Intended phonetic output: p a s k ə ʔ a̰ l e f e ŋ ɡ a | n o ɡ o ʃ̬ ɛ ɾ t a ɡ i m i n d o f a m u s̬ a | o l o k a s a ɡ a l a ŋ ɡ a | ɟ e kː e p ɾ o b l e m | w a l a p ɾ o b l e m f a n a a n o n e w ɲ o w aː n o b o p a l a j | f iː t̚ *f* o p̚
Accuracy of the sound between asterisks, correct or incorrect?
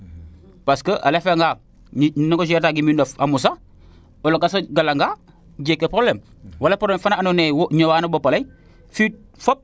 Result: correct